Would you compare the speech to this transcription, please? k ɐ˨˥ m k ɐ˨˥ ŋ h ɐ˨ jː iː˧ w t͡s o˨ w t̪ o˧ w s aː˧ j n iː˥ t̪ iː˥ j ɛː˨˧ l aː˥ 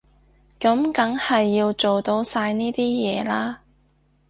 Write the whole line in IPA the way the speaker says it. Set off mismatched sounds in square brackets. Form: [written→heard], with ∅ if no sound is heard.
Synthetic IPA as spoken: k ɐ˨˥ m k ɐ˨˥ ŋ h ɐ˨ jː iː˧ w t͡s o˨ w t̪ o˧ w s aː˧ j n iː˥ t̪ iː˥ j ɛː˨˧ l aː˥